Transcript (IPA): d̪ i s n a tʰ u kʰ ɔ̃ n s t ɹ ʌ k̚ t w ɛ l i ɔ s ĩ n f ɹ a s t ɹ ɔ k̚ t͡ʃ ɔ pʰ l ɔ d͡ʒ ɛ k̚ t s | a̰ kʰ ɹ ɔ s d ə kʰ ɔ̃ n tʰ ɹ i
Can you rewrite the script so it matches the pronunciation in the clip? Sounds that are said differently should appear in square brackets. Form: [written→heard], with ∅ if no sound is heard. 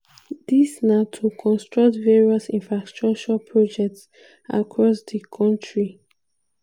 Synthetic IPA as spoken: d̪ i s n a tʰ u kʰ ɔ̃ n s t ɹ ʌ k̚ t [w→v] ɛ [l→ɹ] i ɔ s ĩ n f ɹ a s t ɹ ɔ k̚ t͡ʃ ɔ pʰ [l→ɹ] ɔ d͡ʒ ɛ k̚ t s | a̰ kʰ ɹ ɔ s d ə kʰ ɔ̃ n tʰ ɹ i